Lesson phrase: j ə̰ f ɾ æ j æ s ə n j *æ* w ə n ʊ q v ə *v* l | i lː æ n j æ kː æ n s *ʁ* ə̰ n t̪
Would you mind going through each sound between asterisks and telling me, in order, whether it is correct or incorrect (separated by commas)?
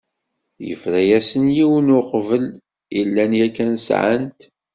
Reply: incorrect, incorrect, incorrect